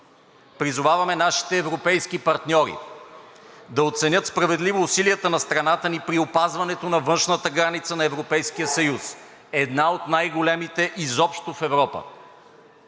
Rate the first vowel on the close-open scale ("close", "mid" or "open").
close